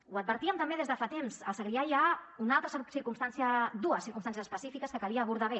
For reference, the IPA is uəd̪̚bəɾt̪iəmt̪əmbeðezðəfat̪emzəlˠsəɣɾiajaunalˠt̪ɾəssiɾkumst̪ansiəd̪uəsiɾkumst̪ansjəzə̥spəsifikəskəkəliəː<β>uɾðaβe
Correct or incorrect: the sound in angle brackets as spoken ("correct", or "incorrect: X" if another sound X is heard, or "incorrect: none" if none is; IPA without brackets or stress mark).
correct